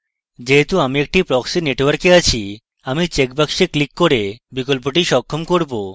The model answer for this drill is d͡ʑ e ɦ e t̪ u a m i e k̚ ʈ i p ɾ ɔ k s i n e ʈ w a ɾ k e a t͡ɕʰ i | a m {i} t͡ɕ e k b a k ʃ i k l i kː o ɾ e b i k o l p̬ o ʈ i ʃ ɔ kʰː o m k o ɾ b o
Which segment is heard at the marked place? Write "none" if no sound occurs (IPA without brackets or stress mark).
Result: i